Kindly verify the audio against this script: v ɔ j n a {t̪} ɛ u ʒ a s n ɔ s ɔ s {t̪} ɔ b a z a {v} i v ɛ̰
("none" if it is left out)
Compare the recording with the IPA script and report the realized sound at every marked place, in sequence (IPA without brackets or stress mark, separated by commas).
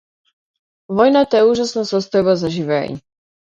t̪, t̪, ʒ